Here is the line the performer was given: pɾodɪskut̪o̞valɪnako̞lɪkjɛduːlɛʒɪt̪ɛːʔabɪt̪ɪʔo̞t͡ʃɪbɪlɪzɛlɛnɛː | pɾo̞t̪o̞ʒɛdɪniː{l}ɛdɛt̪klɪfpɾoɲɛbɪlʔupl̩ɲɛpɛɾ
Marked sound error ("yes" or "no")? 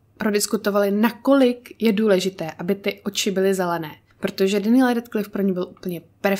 no